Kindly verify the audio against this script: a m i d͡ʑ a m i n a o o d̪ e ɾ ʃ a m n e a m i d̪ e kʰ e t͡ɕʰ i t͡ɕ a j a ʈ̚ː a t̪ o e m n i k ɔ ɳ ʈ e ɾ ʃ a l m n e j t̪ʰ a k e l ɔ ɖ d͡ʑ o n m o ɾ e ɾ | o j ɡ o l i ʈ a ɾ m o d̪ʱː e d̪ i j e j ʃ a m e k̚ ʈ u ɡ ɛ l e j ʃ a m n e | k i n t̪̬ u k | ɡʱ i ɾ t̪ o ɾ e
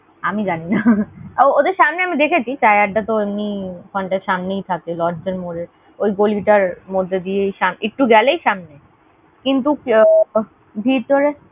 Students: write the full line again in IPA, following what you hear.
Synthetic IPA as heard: a m i d͡ʑ a n i n a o o d̪ e ɾ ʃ a m n e a m i d̪ e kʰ e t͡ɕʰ i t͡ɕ a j a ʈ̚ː a t̪ o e m n i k ɔ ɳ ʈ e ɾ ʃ a m n e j t̪ʰ a k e l ɔ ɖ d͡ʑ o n m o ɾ e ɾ | o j ɡ o l i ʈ a ɾ m o d̪ʱː e d̪ i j e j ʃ a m e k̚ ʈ u ɡ ɛ l e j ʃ a m n e | k i n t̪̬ u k | bʱ i ɾ t̪ o ɾ e

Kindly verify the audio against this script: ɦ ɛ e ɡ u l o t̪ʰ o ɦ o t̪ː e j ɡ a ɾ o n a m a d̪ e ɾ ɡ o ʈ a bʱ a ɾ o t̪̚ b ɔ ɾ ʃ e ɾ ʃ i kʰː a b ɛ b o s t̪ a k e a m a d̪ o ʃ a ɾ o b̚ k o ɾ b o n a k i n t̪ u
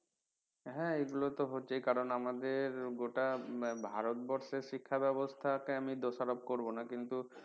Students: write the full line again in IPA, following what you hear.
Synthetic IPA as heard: ɦ ɛ e ɡ u l o t̪ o ɦ o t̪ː e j k a ɾ o n a m a d̪ e ɾ ɡ o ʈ a bʱ a ɾ o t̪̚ b ɔ ɾ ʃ e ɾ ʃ i kʰː a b ɛ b o s t̪ʰ a k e a m i d̪ o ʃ a ɾ o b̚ k o ɾ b o n a k i n t̪ u

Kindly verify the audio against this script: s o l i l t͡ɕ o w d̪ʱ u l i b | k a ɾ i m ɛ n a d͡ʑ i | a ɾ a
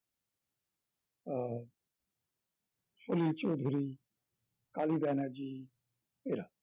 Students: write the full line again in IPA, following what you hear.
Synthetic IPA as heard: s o l i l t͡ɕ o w d̪ʱ u ɾ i | k a l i b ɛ n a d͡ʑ i | e ɾ a

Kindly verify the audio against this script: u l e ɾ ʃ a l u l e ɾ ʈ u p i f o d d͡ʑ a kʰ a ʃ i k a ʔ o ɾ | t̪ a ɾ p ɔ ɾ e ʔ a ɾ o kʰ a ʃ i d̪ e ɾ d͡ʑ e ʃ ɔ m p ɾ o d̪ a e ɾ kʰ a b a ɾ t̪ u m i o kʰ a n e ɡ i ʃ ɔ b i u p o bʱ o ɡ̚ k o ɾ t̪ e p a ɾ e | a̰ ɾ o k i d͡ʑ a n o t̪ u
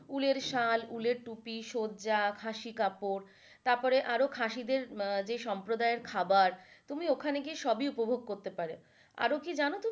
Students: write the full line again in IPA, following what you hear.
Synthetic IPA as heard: u l e ɾ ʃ a l u l e ɾ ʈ u p i ʃ o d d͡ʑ a kʰ a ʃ i k a p o ɾ | t̪ a ɾ p ɔ ɾ e ʔ a ɾ o kʰ a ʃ i d̪ e ɾ d͡ʑ e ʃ ɔ m p ɾ o d̪ a e ɾ kʰ a b a ɾ t̪ u m i o kʰ a n e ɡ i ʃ ɔ b i u p o bʱ o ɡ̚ k o ɾ t̪ e p a ɾ e | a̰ ɾ o k i d͡ʑ a n o t̪ u

